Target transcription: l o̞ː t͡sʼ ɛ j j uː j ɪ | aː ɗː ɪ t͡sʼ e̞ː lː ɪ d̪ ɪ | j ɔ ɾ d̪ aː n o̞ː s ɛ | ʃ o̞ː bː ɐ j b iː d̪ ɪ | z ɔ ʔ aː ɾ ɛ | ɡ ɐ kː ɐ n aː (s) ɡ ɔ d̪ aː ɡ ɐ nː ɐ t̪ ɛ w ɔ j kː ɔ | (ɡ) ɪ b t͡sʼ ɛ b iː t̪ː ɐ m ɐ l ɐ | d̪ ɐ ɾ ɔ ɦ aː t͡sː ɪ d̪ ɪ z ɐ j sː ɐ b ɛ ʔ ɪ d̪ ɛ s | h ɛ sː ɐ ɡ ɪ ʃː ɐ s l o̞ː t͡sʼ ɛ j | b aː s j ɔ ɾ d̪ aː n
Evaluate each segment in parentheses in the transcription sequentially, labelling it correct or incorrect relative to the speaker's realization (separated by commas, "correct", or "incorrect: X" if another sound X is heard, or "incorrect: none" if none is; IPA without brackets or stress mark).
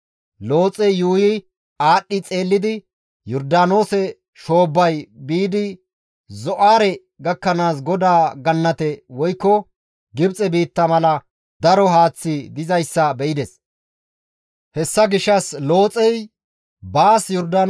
correct, correct